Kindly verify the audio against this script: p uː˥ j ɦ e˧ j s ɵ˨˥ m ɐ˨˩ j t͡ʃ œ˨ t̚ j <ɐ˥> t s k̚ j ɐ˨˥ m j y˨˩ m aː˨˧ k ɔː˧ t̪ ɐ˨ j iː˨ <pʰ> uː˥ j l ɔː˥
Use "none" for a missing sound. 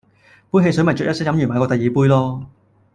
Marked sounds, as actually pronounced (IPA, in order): ɐ˥, p

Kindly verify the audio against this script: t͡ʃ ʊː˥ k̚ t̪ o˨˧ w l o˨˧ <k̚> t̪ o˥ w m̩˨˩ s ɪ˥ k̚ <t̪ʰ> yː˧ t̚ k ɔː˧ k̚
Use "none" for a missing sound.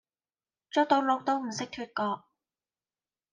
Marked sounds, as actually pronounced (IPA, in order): k̚, t̪ʰ

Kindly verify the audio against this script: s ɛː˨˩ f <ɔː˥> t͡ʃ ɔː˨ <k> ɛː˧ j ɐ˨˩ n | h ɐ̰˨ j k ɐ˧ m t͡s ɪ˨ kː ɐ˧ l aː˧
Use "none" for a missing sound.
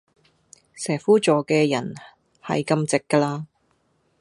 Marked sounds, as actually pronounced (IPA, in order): uː˥, k

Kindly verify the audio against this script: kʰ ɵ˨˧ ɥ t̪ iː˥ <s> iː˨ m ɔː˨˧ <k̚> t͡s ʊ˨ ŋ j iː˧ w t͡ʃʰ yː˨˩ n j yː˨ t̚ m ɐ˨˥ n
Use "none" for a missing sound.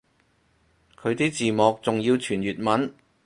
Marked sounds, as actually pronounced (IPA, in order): t͡s, k̚

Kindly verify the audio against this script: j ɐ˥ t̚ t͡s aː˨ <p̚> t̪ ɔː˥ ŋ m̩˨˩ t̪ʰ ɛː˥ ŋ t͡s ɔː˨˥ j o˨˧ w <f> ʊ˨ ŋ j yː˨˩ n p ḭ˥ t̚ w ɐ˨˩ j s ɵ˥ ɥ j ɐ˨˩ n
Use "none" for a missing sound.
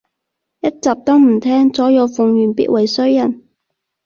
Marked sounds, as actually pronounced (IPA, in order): p̚, f

